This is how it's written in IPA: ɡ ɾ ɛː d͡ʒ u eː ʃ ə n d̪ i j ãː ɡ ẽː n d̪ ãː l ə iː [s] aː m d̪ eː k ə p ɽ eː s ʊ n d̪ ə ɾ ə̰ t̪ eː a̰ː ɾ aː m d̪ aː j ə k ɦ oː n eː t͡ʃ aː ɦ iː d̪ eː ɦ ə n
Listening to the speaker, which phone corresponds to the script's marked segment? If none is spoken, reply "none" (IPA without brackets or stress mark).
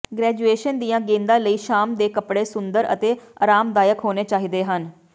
ʃ